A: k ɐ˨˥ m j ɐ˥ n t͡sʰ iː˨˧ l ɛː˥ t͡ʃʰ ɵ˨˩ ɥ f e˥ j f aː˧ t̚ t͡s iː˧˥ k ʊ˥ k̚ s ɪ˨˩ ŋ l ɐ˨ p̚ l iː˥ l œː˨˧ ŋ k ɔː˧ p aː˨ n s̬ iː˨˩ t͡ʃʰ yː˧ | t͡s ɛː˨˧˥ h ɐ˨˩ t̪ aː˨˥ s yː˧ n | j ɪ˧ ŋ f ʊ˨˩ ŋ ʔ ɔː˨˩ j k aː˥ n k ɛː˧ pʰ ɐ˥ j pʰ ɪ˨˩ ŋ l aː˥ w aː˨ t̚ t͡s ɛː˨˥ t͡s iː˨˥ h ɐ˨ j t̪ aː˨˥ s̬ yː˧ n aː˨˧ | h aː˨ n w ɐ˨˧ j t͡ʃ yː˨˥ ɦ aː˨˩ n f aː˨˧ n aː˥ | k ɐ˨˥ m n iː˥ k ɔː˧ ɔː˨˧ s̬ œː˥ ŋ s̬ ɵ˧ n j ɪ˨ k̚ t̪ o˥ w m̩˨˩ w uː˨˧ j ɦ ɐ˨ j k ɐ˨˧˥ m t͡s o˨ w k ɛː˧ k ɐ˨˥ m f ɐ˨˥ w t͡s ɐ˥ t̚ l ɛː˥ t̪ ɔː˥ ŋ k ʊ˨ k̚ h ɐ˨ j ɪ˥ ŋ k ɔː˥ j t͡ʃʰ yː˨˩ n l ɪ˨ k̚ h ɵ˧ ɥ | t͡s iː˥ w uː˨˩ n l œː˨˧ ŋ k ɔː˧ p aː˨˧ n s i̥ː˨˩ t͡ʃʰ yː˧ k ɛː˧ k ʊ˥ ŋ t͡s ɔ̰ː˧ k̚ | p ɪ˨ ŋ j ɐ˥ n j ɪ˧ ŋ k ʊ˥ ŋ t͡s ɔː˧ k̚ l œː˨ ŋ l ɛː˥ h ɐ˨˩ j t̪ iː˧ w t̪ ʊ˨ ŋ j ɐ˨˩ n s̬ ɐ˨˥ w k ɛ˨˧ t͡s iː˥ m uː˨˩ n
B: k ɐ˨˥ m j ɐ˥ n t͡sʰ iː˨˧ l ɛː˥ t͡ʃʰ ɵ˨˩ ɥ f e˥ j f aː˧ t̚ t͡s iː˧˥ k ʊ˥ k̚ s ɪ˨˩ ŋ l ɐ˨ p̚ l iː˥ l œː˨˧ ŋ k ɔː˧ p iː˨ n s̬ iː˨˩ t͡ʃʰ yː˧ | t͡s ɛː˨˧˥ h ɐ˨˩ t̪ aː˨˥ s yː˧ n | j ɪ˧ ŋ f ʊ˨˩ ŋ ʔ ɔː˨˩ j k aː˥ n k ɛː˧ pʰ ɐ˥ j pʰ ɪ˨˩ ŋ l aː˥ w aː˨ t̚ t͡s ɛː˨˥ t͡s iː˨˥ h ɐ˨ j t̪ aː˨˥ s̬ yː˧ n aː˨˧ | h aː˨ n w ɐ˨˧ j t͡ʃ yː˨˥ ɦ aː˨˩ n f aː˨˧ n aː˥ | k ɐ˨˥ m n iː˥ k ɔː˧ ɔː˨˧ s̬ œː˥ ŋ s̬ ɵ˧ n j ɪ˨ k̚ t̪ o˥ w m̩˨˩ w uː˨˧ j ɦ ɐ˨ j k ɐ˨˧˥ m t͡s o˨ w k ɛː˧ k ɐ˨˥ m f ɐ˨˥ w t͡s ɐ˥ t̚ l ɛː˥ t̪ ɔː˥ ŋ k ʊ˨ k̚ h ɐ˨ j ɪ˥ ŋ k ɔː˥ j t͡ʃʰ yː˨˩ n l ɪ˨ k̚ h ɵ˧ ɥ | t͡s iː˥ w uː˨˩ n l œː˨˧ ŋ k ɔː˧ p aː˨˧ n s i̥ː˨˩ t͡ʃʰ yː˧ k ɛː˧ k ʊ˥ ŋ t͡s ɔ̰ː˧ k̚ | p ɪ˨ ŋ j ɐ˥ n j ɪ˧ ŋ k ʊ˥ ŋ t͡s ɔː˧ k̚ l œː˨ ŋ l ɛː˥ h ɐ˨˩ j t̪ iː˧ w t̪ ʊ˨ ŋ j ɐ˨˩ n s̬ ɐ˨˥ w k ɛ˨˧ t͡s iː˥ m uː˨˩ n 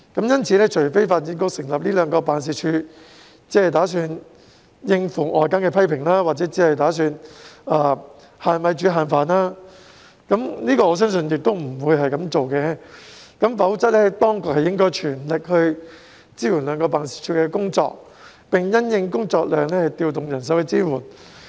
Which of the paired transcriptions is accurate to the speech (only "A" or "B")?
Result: A